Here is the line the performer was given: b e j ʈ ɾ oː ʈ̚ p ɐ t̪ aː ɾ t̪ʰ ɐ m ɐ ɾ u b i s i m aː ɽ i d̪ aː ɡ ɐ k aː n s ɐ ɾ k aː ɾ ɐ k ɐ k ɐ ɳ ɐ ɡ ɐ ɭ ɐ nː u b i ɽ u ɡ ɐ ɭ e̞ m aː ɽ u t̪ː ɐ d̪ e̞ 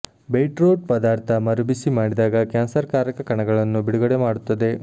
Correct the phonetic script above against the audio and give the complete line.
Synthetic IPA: b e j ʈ ɾ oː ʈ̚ p ɐ d̪ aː ɾ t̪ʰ ɐ m ɐ ɾ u b i s i m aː ɽ i d̪ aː ɡ ɐ k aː n s ɐ ɾ k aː ɾ ɐ k ɐ k ɐ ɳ ɐ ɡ ɐ ɭ ɐ nː u b i ɽ u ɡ ɐ ɽ e̞ m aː ɽ u t̪ː ɐ d̪ e̞